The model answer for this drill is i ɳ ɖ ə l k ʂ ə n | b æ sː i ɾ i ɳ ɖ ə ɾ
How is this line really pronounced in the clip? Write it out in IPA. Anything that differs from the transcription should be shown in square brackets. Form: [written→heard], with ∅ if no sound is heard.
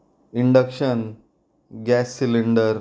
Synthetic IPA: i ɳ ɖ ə [l→∅] k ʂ ə n | [b→ɡ] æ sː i [ɾ→l] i ɳ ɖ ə ɾ